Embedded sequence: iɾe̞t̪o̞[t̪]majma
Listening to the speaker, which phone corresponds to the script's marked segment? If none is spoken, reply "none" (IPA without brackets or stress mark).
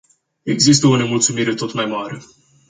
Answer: t̪